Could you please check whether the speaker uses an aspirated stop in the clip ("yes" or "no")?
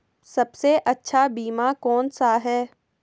no